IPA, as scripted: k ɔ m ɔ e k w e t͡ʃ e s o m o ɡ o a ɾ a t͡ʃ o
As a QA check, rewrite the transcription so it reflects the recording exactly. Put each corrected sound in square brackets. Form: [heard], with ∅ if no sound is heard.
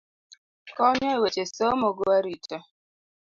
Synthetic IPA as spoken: k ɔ [ɲ] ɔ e [∅] w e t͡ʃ e s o m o ɡ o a ɾ [i] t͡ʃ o

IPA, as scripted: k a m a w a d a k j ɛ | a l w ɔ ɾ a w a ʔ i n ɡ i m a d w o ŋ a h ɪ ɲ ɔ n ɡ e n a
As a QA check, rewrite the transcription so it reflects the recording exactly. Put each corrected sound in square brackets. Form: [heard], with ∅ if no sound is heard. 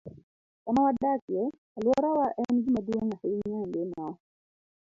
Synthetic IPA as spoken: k a m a w a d a k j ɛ | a l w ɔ ɾ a w a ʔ [ɛ] n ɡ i m a d w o ŋ a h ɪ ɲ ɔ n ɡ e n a

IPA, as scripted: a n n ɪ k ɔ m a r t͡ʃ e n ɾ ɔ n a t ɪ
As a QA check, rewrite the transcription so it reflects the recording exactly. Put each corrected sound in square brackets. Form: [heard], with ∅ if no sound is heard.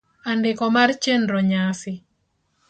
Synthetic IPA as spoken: a n [d] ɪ k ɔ m a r t͡ʃ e n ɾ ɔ [ɲ] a [s] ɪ

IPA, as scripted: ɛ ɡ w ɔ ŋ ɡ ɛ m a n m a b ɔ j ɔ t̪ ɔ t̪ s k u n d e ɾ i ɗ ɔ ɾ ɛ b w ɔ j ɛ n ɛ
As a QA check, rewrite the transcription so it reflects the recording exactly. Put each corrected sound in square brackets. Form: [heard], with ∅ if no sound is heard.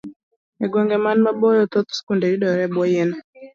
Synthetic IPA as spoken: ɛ ɡ w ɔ ŋ ɡ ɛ m a n m a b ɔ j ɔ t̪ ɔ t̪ s k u n d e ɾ i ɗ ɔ ɾ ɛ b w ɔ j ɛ n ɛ

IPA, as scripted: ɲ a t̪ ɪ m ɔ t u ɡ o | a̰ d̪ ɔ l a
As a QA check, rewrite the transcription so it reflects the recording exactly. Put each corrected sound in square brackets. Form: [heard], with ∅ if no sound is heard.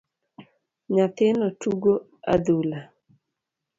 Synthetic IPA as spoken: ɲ a t̪ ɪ [n] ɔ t u ɡ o | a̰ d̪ [u] l a

